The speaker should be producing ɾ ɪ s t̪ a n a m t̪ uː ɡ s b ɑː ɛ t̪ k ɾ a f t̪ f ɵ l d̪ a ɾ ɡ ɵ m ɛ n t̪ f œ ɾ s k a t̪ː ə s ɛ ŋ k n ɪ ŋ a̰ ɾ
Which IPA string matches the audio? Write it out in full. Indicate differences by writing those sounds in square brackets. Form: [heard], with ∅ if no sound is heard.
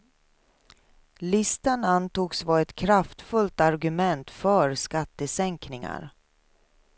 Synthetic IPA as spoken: [l] ɪ s t̪ a n a [n] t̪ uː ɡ s [v] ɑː ɛ t̪ [kʰ] ɾ a f t̪ f ɵ l [t̪] a ɾ ɡ ɵ m ɛ n t̪ f œ ɾ s k a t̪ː ə s ɛ ŋ k n ɪ ŋ a̰ ɾ